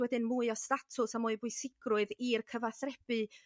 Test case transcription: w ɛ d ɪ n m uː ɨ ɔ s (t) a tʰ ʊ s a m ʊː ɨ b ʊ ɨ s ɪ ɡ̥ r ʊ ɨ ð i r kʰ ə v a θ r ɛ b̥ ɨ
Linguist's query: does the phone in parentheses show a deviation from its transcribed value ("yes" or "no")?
no